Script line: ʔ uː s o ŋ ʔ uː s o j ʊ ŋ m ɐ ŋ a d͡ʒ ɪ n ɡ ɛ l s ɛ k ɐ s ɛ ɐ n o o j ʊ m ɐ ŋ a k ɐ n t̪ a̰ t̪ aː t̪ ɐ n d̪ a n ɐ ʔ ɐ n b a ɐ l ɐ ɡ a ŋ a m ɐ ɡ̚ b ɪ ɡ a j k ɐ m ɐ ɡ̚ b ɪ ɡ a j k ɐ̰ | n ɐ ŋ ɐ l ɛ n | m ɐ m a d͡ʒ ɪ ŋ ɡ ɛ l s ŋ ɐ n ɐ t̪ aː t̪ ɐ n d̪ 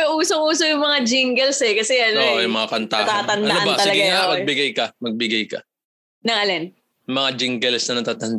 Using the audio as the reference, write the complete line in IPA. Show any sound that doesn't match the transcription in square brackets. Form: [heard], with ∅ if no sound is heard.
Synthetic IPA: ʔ uː s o ŋ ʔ uː s o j ʊ ŋ m ɐ ŋ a d͡ʒ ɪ [ŋ] ɡ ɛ l s ɛ k ɐ s ɛ ɐ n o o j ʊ m ɐ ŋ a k ɐ n t̪ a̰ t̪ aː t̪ ɐ n d̪ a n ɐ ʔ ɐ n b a ɐ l ɐ ɡ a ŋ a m ɐ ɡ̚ b ɪ ɡ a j k ɐ m ɐ ɡ̚ b ɪ ɡ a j k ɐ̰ | n ɐ ŋ ɐ l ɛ n | m ɐ [ŋ] a d͡ʒ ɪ ŋ ɡ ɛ l s [n] ɐ n ɐ t̪ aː t̪ ɐ n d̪